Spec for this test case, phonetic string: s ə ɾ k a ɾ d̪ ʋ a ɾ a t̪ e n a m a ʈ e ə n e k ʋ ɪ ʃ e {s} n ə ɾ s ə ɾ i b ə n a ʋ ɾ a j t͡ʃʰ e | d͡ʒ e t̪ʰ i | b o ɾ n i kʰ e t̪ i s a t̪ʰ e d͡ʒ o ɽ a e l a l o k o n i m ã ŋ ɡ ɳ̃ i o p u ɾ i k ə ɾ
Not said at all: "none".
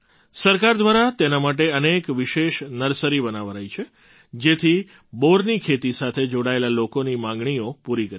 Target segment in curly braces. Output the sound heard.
ʃ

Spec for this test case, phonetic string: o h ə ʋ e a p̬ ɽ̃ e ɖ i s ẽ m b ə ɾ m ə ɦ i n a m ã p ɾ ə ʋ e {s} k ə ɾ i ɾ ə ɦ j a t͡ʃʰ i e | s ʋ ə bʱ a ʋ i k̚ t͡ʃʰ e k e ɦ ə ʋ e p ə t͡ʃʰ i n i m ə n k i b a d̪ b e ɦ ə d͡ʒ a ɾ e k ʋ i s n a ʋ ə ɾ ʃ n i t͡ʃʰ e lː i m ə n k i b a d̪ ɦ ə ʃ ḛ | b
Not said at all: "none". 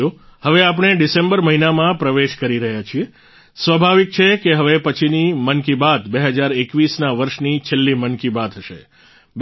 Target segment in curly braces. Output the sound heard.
ʃ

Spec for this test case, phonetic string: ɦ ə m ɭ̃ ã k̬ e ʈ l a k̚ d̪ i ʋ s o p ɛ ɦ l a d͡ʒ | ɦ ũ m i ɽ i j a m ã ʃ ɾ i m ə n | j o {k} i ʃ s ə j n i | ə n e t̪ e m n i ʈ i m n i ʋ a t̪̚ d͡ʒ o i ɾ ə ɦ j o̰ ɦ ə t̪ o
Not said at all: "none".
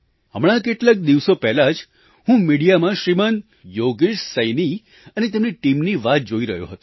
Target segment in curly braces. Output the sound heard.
ɡ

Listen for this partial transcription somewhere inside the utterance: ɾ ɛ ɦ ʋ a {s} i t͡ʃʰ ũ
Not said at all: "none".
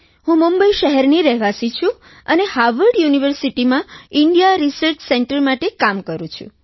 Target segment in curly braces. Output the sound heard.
s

